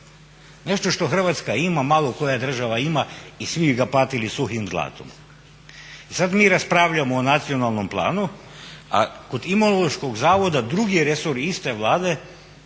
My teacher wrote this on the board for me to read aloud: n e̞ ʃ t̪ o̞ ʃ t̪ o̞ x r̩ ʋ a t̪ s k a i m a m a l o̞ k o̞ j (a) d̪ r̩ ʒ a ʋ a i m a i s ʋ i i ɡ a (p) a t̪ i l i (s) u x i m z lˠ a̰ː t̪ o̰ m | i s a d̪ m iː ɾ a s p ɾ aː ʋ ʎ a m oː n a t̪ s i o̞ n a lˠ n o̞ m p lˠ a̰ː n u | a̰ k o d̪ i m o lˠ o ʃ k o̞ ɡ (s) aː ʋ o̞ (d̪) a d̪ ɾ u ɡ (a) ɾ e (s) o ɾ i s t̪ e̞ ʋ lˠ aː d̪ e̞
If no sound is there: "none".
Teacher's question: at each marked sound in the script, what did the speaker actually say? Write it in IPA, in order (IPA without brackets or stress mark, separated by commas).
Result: a, p, s, z, d̪, i, s